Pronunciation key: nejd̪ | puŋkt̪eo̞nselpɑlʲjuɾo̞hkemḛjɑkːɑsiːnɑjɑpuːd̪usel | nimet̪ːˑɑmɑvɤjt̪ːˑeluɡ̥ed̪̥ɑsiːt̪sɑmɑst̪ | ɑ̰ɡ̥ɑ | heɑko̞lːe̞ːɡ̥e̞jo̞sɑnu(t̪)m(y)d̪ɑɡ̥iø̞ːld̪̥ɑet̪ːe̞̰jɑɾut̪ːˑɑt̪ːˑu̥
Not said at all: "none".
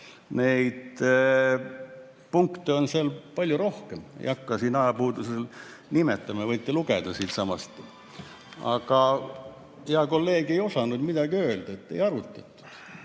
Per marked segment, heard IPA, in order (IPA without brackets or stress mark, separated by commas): d̪, i